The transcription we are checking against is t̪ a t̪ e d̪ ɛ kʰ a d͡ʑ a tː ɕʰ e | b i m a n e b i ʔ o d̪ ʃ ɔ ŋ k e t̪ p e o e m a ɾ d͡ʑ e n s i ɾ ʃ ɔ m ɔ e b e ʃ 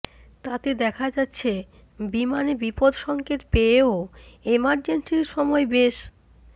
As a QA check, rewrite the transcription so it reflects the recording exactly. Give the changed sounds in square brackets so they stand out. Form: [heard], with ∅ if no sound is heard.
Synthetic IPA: t̪ a t̪ e d̪ ɛ kʰ a d͡ʑ a tː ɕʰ e | b i m a n e b i [p] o d̪ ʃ ɔ ŋ k e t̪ p e o e m a ɾ d͡ʑ e n s i ɾ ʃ ɔ m ɔ e b e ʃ